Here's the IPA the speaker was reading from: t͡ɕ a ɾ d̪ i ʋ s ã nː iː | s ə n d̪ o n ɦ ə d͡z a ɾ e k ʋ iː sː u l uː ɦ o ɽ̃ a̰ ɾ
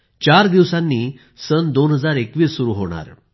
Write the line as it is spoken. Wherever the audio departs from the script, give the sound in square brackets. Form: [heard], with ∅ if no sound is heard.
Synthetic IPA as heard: t͡ɕ a ɾ d̪ i ʋ s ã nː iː | s ə n d̪ o n ɦ ə d͡z a ɾ e k ʋ iː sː u [ɾ] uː ɦ o ɽ̃ a̰ ɾ